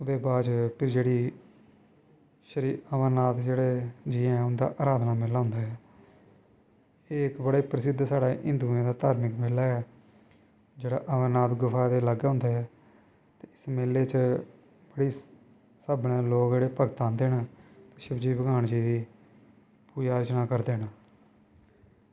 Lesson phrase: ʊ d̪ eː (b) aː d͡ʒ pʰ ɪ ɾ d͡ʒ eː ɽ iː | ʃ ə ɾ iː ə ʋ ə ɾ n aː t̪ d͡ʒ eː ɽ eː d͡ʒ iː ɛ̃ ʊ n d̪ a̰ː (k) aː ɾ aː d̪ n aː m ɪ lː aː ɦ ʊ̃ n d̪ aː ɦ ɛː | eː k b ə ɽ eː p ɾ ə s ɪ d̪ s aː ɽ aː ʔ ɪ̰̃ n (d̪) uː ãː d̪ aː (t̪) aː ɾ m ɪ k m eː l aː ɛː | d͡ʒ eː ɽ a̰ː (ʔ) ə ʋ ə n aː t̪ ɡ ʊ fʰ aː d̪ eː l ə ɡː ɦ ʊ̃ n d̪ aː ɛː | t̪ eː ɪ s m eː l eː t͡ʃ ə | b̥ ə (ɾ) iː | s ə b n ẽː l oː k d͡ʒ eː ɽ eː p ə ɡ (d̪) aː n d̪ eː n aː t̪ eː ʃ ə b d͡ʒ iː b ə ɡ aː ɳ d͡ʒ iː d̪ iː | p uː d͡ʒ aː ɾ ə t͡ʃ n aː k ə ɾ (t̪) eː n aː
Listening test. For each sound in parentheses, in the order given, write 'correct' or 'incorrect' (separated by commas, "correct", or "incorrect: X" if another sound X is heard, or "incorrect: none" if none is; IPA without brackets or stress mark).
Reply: correct, incorrect: ʔ, correct, correct, correct, incorrect: ɽ, incorrect: t̪, incorrect: d̪